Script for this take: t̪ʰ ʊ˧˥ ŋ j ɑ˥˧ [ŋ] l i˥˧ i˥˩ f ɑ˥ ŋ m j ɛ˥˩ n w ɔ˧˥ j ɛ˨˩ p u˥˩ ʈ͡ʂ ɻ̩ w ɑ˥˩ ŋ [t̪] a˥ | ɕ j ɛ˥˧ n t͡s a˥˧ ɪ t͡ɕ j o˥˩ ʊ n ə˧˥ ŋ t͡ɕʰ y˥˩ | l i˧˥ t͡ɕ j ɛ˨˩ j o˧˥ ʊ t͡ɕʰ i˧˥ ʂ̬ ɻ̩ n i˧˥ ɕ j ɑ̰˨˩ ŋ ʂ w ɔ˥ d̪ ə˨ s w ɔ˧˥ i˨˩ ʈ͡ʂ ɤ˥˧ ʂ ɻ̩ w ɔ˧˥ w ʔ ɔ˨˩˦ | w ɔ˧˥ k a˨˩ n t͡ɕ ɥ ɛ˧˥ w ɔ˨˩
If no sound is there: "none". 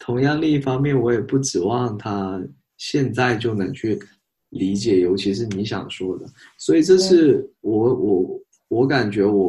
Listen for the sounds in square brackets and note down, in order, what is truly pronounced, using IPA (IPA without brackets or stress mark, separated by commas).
ŋ, t̪ʰ